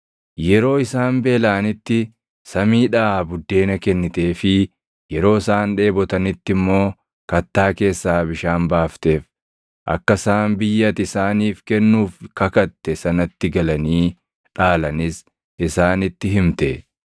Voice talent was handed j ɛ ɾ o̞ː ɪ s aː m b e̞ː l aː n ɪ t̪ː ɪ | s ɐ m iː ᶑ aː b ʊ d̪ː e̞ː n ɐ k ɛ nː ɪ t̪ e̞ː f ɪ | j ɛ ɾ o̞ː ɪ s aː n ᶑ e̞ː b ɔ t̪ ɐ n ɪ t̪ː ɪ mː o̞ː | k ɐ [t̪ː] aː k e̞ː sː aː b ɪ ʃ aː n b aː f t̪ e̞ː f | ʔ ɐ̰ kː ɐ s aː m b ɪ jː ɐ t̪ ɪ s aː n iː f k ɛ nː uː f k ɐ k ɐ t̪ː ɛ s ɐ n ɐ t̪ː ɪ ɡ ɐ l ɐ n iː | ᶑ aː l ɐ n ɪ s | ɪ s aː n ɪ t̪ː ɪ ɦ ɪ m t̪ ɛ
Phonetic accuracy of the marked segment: correct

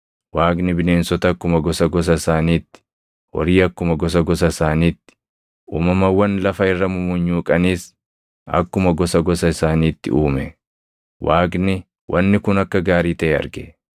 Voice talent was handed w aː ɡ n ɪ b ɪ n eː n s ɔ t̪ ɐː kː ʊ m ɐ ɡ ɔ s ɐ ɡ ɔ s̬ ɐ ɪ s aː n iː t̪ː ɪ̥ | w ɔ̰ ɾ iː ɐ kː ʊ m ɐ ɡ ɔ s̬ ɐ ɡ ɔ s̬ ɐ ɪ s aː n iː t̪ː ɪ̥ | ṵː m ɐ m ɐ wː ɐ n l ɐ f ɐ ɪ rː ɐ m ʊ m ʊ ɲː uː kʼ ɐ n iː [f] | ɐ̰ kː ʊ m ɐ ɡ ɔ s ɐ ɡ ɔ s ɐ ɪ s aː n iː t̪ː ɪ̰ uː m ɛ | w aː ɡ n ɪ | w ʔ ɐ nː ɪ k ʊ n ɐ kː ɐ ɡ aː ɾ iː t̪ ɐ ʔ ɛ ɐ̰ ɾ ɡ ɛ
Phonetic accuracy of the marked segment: incorrect: s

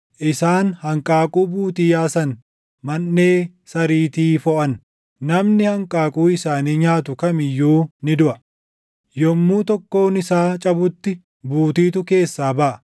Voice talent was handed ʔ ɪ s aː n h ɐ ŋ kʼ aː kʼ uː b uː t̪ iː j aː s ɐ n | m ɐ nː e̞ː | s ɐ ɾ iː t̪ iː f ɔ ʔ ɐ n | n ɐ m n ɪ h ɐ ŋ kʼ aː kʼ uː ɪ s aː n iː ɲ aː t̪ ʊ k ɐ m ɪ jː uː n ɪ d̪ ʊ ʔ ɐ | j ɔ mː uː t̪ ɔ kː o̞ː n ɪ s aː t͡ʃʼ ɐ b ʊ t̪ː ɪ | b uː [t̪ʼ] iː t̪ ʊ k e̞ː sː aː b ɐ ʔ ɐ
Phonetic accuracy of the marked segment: incorrect: t̪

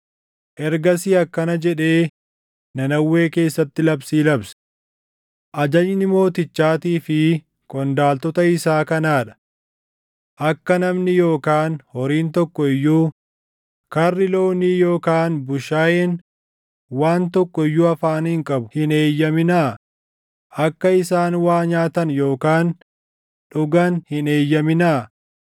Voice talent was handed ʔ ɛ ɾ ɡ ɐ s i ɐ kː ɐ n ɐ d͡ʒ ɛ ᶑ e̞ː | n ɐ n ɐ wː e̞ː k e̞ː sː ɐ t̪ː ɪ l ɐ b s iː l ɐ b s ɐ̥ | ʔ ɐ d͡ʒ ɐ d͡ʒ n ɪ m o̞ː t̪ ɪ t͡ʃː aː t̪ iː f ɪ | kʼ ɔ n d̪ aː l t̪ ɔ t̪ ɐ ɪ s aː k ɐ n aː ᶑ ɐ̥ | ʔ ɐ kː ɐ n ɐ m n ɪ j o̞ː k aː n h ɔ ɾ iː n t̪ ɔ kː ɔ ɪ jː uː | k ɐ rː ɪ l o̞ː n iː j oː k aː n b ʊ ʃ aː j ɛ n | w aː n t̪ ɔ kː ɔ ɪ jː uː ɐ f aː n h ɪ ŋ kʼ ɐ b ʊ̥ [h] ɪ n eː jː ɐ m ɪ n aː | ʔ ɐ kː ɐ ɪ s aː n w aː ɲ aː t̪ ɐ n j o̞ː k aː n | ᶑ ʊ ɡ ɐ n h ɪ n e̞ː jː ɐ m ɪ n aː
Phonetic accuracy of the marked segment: correct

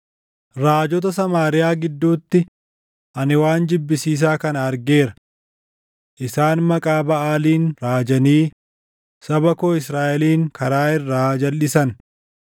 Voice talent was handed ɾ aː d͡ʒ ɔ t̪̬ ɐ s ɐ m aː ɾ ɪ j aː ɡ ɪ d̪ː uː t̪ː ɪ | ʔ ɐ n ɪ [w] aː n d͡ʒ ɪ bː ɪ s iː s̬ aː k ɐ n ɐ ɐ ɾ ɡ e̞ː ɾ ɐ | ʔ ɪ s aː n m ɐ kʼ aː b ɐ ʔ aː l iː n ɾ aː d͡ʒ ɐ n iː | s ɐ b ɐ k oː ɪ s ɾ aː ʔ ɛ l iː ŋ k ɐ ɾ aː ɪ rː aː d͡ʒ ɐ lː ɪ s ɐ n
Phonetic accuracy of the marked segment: correct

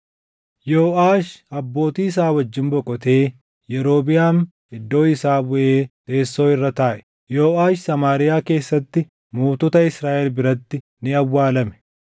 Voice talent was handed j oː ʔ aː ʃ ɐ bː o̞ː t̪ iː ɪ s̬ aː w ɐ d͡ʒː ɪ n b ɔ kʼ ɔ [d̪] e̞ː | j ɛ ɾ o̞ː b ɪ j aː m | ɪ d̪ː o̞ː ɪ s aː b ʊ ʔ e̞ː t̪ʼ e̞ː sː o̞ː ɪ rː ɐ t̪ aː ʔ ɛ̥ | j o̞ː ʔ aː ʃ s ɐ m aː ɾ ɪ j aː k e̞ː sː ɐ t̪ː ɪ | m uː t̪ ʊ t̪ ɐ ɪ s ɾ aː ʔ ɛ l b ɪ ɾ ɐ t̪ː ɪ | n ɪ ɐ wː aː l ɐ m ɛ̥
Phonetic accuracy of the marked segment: incorrect: t̪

